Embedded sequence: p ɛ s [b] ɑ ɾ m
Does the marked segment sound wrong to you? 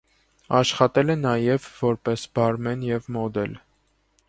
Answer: no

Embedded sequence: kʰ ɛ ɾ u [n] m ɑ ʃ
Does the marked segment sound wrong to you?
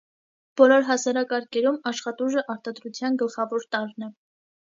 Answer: yes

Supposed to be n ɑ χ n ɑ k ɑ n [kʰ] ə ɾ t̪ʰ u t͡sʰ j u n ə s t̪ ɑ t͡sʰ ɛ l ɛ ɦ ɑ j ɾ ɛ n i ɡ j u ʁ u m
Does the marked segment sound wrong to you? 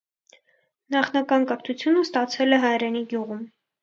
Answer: yes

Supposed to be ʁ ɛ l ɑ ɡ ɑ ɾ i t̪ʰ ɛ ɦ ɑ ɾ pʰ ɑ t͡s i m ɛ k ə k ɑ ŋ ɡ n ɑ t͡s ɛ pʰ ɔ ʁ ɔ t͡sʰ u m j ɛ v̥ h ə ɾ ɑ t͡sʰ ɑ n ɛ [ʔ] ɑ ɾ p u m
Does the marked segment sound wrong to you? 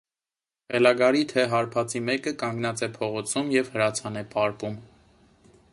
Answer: yes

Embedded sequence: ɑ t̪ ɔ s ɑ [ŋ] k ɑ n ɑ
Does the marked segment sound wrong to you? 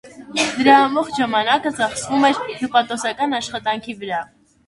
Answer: yes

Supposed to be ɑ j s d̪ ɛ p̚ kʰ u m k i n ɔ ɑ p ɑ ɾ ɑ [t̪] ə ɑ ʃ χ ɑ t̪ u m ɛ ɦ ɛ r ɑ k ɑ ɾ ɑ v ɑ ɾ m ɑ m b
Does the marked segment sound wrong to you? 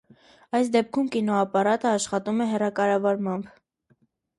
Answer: no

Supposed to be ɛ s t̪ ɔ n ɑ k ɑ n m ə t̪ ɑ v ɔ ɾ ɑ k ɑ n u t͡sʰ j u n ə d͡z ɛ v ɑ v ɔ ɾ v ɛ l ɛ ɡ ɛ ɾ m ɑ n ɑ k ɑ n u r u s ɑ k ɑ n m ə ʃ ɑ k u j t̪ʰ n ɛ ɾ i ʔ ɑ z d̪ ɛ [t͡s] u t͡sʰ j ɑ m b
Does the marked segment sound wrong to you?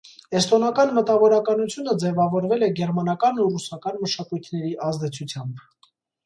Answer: yes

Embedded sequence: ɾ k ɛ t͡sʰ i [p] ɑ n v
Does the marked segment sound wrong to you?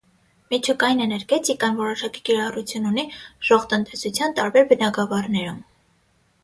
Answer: yes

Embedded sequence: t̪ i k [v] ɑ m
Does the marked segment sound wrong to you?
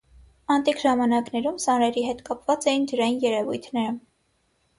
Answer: yes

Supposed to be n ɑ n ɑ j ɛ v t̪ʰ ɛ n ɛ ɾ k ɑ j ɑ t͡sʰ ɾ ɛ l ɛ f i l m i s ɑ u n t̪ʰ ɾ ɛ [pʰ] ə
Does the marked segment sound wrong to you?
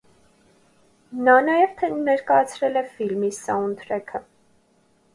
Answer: yes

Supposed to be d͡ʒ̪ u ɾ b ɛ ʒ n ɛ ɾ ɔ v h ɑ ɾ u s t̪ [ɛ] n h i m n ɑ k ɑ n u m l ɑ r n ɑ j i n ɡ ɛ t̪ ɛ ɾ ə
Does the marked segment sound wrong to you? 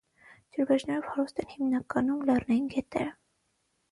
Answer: no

